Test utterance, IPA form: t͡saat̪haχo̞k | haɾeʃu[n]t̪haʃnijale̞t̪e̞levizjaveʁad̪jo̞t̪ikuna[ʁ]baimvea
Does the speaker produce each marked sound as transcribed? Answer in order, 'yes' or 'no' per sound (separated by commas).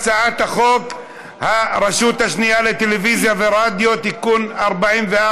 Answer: no, yes